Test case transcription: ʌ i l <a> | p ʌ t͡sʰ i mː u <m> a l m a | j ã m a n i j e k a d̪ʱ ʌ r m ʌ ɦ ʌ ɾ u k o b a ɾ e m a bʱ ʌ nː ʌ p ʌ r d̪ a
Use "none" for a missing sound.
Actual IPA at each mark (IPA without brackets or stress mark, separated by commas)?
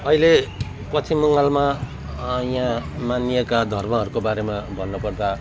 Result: e, ŋ